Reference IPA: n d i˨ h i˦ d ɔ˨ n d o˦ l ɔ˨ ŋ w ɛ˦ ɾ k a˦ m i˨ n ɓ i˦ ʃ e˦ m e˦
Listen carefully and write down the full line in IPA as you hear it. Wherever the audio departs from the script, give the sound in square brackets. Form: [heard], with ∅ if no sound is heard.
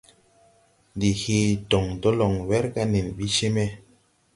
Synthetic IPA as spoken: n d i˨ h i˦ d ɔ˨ [ŋ] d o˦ l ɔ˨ ŋ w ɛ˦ ɾ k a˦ [n] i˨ n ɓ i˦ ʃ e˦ m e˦